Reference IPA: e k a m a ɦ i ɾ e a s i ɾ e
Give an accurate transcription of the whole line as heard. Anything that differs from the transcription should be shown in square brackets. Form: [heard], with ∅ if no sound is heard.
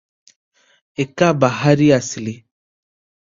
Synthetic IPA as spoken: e k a [b] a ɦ [a] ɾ [i] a s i [l] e